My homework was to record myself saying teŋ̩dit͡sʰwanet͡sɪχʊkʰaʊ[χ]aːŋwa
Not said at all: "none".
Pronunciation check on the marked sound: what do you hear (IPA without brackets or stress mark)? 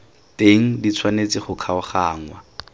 χ